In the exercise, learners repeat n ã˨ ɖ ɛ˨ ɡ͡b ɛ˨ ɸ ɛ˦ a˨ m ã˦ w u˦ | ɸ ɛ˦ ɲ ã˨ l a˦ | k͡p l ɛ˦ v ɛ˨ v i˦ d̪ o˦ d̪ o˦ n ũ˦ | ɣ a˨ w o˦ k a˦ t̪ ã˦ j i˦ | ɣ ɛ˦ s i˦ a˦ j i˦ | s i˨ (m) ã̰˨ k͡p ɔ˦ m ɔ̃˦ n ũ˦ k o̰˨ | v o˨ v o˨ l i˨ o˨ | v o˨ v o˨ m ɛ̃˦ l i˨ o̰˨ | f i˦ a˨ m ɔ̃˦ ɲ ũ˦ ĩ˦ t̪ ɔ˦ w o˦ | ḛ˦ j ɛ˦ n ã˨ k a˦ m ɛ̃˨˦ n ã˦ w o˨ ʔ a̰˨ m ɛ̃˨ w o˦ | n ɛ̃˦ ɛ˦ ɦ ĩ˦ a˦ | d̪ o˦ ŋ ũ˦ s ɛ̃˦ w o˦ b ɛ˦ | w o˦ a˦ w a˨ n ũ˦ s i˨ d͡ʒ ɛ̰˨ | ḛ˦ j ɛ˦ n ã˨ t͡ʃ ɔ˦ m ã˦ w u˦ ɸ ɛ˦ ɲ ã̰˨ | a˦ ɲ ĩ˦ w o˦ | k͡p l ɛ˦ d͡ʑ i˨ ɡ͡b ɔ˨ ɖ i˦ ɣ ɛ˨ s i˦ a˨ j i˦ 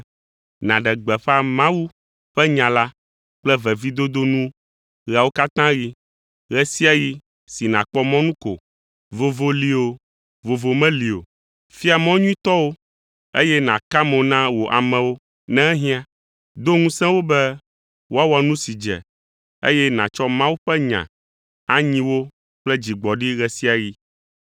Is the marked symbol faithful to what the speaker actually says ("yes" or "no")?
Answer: no